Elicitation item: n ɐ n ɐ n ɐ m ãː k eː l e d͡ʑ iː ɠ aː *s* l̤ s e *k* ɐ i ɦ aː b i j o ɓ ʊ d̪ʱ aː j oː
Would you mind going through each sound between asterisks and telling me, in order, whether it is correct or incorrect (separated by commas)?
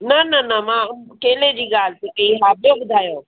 incorrect, correct